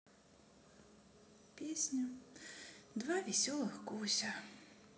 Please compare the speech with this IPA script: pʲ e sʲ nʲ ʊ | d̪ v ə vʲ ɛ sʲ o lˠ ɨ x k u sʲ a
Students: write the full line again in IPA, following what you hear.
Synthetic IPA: pʲ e sʲ nʲ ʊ | d̪ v a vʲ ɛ sʲ ɔ lˠ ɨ x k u sʲ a